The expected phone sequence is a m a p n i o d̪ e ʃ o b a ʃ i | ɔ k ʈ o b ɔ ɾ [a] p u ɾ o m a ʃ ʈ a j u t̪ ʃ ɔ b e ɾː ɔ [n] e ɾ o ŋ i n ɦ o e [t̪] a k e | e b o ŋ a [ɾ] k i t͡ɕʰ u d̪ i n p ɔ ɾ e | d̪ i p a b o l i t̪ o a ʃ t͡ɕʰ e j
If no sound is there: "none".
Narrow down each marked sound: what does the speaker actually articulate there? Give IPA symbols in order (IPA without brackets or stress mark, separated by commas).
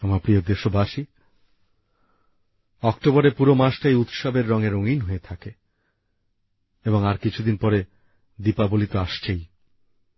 e, ŋ, t̪ʰ, ɾ